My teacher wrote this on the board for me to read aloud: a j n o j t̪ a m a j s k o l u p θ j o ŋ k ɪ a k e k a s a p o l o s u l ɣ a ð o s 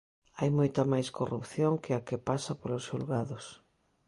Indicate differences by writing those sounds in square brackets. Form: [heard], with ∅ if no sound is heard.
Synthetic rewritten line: a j [m] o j t̪ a m a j s k o [r] u p θ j o ŋ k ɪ a k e [p] a s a p o l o s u l ɣ a ð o s